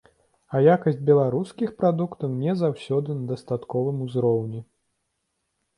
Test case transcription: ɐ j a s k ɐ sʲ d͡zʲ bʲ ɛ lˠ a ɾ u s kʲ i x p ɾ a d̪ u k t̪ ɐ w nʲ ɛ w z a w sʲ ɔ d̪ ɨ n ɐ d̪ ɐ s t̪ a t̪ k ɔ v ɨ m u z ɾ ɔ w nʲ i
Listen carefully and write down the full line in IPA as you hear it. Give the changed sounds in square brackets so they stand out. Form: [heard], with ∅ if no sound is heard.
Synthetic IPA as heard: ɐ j a [∅] k ɐ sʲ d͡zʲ bʲ ɛ lˠ a ɾ u s kʲ i x p ɾ a d̪ u k t̪ ɐ w nʲ ɛ [∅] z a w sʲ ɔ d̪ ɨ n ɐ d̪ ɐ s t̪ a t̪ k ɔ v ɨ m u z ɾ ɔ w nʲ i

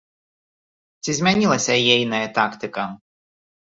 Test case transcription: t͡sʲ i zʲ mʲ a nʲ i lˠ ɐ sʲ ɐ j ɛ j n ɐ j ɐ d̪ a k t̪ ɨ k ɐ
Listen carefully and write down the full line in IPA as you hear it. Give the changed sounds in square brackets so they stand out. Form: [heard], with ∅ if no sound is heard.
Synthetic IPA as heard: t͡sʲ i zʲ mʲ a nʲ i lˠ ɐ sʲ ɐ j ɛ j n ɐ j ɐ [t̪] a k t̪ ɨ k ɐ

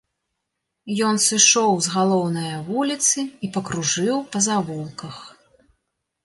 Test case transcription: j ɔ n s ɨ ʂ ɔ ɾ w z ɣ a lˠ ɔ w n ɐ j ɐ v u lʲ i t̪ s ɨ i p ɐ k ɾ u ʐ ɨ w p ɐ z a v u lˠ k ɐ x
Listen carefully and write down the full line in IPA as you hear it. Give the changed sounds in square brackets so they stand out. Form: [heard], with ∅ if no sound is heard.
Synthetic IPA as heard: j ɔ n s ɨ ʂ ɔ [∅] w z ɣ a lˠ ɔ w n ɐ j ɐ v u lʲ i t̪ s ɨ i p ɐ k ɾ u ʐ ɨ w p ɐ z a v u lˠ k ɐ x

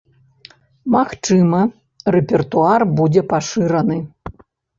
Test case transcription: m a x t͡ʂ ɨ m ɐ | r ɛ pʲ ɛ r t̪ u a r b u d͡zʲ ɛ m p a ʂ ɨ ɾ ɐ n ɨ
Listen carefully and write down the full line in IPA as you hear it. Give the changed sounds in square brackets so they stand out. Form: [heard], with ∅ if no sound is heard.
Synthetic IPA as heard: m a x t͡ʂ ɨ m ɐ | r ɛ pʲ ɛ r t̪ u a r b u d͡zʲ ɛ [∅] p a ʂ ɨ ɾ ɐ n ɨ

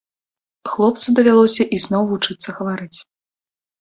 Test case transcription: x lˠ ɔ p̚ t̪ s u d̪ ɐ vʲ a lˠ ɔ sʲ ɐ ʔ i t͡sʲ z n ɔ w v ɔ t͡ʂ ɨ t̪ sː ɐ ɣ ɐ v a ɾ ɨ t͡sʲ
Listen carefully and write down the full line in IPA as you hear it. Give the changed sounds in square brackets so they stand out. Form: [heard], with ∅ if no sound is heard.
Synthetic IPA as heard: x lˠ ɔ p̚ t̪ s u d̪ ɐ vʲ a lˠ ɔ sʲ ɐ ʔ i [∅] z n ɔ w v [u] t͡ʂ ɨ t̪ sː ɐ ɣ ɐ v a ɾ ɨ t͡sʲ

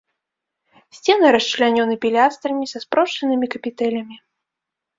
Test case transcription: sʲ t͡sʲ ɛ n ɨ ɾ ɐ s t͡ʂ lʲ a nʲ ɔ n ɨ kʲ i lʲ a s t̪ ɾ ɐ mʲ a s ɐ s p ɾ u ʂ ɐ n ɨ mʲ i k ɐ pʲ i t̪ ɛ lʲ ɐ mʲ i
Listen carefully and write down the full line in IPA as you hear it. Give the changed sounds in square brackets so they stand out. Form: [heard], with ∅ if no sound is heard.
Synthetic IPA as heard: sʲ t͡sʲ ɛ n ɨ ɾ ɐ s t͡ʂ lʲ a nʲ ɔ n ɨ [pʲ] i lʲ a s t̪ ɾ ɐ mʲ [i] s ɐ s p ɾ [ɔ] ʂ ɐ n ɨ mʲ i k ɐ pʲ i t̪ ɛ lʲ ɐ mʲ i

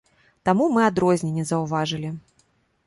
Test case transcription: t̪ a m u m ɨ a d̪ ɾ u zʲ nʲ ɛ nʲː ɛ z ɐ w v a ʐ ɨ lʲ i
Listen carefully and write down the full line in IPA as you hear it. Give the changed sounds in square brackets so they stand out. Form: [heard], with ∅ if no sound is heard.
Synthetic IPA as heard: t̪ a m u m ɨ a d̪ ɾ [ɔ] zʲ nʲ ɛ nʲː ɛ z ɐ w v a ʐ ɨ lʲ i

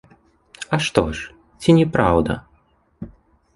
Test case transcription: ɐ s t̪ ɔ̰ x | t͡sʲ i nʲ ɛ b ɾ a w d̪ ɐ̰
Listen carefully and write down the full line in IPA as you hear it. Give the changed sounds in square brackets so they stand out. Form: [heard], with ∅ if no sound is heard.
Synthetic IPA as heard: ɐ [ʂ] t̪ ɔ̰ [ʂ] | t͡sʲ i nʲ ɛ [p] ɾ a w d̪ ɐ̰

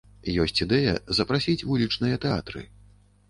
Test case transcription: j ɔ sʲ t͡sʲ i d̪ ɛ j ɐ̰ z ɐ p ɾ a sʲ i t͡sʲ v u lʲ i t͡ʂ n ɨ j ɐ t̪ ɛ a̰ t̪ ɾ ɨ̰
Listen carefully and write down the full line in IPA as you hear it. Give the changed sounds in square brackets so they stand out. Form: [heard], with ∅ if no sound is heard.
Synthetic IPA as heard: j ɔ sʲ t͡sʲ i d̪ ɛ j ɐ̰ z ɐ p ɾ a sʲ i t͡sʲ v u lʲ i t͡ʂ n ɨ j ɐ t̪ ɛ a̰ t̪ ɾ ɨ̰

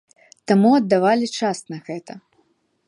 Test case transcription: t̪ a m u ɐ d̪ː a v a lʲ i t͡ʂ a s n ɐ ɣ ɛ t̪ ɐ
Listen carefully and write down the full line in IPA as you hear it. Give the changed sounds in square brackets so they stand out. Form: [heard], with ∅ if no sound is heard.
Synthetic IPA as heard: t̪ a m u ɐ d̪ː a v a lʲ i t͡ʂ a s n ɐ ɣ ɛ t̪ ɐ

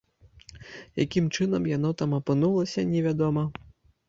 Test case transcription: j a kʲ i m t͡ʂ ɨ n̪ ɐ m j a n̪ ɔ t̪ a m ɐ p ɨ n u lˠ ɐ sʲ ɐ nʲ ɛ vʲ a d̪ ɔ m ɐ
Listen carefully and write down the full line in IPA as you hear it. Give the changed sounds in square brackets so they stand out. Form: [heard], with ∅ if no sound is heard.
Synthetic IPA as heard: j a kʲ i m t͡ʂ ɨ n̪ ɐ m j a n̪ ɔ t̪ a m ɐ p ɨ n u lˠ ɐ sʲ ɐ nʲ ɛ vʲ a d̪ ɔ m ɐ

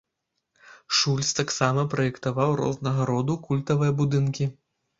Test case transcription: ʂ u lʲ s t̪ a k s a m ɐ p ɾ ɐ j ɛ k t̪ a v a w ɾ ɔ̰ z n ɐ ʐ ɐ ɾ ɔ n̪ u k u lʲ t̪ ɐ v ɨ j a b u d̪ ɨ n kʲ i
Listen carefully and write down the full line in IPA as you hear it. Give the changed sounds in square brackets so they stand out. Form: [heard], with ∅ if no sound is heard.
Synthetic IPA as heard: ʂ u lʲ s t̪ a k s a m ɐ p ɾ ɐ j ɛ k t̪ a v a w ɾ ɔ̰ z n ɐ [ɣ] ɐ ɾ ɔ [d̪] u k u lʲ t̪ ɐ v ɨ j [ɐ] b u d̪ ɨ n kʲ i

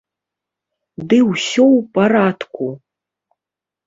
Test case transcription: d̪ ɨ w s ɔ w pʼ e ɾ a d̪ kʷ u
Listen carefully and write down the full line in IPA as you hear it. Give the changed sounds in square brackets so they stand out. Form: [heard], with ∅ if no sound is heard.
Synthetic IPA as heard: d̪ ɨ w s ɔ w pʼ [a] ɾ a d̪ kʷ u

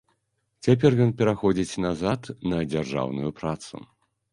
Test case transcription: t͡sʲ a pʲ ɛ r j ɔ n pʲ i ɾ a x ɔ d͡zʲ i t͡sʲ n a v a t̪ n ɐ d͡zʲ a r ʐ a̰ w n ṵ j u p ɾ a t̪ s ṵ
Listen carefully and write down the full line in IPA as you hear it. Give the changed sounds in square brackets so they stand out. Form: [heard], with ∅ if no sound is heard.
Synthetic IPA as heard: t͡sʲ a pʲ ɛ r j ɔ n pʲ [ɛ] ɾ a x ɔ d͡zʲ i t͡sʲ n a [z] a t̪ n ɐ d͡zʲ a r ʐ a̰ w n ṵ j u p ɾ a t̪ s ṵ

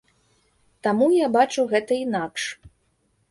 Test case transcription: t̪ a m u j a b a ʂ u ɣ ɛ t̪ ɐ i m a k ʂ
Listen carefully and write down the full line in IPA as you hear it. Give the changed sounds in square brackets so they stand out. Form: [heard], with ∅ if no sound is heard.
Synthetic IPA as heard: t̪ a m u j a b a [t͡ʂ] u ɣ ɛ t̪ ɐ i [n] a k ʂ

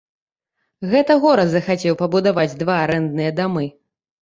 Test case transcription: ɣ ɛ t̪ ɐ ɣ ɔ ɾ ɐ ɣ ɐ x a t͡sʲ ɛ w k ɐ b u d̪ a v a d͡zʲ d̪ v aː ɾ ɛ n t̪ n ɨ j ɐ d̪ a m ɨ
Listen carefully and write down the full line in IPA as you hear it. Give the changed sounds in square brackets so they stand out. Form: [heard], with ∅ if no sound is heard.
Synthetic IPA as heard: ɣ ɛ t̪ ɐ ɣ ɔ ɾ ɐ [z] ɐ x a t͡sʲ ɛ w [p] ɐ b u d̪ a v a d͡zʲ d̪ v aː ɾ ɛ n [d̪] n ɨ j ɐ d̪ a m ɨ

